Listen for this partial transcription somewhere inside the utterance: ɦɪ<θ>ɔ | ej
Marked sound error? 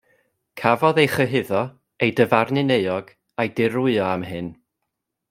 yes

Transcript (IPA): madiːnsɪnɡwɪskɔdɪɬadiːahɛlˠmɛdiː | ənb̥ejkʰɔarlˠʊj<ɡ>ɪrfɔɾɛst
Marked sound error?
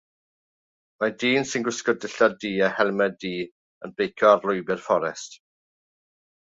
yes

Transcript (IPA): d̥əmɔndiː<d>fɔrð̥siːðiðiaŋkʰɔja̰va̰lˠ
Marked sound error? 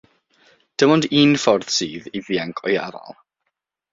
yes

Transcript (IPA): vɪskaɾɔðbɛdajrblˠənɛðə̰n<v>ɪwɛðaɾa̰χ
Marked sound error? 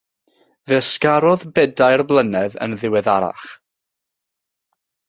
yes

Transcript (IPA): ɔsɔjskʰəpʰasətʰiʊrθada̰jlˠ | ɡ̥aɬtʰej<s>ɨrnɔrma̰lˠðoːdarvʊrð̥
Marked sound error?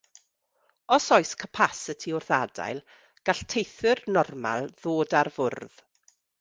yes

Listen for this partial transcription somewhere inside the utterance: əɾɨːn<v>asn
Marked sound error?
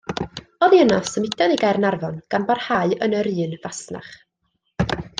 no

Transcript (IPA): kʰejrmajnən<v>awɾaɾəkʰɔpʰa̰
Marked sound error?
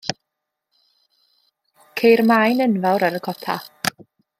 no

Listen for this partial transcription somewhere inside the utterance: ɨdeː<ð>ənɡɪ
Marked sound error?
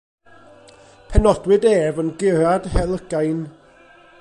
yes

